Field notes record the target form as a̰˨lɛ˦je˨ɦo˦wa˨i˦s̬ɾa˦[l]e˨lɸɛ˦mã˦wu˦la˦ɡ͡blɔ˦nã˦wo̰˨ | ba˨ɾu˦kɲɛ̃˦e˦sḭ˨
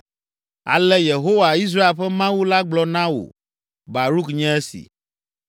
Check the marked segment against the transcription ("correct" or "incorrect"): incorrect